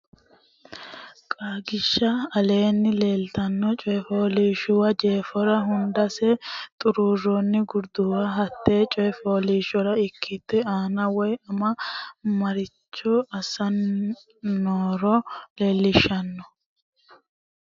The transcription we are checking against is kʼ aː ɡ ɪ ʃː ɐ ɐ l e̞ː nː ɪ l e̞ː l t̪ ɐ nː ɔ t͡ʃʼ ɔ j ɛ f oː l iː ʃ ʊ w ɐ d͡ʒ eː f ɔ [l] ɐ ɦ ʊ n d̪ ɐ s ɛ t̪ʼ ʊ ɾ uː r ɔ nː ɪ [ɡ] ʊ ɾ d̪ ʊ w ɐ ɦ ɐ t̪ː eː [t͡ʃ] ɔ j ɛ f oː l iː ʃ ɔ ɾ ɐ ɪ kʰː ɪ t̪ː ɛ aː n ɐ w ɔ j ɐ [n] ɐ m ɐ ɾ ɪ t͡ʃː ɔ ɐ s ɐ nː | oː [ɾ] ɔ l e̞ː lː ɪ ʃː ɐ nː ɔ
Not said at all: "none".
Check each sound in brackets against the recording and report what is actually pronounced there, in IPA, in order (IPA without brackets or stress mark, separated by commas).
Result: ɾ, ɡ, t͡ʃʼ, m, ɾ